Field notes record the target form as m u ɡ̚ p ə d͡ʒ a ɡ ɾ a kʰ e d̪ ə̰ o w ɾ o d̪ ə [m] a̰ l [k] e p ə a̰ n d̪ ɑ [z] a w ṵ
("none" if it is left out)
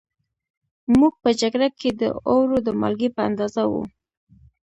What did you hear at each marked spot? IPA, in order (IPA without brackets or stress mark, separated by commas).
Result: m, ɡ, z